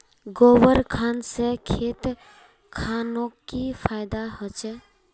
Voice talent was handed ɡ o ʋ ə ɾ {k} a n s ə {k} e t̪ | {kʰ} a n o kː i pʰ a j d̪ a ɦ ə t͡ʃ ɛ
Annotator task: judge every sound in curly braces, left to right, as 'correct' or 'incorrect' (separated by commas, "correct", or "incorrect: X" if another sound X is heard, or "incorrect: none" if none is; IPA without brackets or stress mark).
incorrect: kʰ, incorrect: kʰ, correct